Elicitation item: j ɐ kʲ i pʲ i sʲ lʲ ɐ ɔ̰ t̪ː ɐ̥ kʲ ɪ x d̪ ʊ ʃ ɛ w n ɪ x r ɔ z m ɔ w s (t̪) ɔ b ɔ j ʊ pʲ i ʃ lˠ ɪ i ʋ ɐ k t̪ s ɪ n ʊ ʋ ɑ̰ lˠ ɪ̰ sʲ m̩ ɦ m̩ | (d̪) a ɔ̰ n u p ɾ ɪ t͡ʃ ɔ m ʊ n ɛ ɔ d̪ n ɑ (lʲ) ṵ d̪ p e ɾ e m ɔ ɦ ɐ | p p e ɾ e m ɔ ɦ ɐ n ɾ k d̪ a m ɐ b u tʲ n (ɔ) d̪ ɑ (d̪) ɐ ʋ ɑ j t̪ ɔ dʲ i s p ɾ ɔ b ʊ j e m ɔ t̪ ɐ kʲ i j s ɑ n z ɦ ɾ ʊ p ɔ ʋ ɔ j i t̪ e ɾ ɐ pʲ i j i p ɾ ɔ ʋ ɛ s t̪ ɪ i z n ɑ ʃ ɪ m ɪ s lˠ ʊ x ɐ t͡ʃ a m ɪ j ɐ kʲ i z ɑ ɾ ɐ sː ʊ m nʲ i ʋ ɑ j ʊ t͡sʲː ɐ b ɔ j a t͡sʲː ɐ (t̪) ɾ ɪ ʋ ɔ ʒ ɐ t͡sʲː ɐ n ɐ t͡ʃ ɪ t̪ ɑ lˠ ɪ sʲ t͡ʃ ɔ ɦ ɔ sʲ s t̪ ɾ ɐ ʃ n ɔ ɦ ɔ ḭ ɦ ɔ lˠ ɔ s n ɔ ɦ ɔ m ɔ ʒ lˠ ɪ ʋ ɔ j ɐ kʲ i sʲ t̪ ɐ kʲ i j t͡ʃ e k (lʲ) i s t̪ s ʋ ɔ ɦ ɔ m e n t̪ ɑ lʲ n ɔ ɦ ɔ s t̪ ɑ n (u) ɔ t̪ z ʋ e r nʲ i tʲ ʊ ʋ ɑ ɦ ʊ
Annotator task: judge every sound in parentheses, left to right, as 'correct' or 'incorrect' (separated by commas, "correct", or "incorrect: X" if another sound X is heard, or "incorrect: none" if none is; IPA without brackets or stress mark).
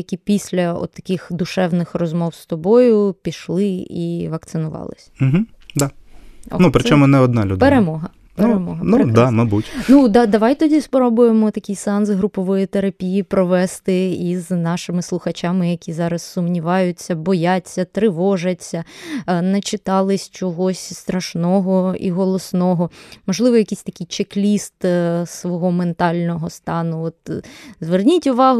correct, correct, correct, incorrect: u, correct, correct, correct, incorrect: ʊ